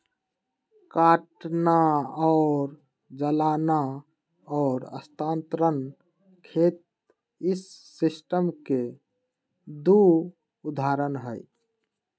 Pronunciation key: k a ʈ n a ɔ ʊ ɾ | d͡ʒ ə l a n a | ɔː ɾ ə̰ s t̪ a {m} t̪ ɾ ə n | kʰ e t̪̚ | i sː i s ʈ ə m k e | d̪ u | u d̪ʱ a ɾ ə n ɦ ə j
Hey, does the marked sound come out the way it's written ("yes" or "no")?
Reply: no